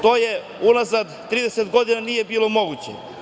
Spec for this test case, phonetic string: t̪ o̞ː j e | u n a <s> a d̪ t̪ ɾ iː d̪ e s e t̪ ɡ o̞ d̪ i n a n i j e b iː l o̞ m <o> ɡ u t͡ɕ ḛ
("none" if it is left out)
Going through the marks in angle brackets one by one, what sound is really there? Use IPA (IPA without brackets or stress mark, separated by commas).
z, o